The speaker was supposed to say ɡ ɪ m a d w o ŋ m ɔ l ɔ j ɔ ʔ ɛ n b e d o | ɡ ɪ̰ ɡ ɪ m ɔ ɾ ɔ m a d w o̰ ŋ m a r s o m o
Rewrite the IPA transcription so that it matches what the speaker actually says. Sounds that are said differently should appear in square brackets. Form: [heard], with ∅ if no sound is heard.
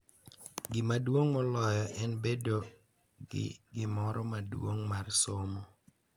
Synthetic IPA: ɡ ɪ m a d w o ŋ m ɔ l ɔ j ɔ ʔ ɛ n b e d o | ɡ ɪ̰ ɡ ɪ m ɔ ɾ ɔ m a d w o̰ ŋ m a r s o m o